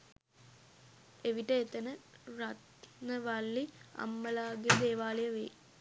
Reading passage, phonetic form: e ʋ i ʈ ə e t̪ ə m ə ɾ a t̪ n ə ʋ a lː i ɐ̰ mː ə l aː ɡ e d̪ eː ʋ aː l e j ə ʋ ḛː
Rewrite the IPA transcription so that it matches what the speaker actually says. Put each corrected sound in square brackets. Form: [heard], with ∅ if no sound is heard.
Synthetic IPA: e ʋ i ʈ ə e t̪ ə [n] ə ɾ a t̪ n ə ʋ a lː i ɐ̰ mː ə l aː ɡ e d̪ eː ʋ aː l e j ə ʋ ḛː